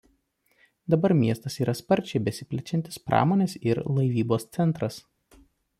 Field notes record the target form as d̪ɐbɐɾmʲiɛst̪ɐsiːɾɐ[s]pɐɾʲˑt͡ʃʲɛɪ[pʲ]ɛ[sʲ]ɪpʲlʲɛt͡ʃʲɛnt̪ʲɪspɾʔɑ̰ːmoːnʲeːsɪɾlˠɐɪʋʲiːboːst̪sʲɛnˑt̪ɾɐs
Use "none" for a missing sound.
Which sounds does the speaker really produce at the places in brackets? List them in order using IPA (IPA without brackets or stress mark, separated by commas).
s, bʲ, sʲ